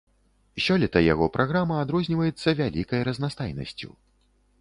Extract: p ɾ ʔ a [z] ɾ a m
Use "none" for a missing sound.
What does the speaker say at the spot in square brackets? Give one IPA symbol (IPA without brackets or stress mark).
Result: ɣ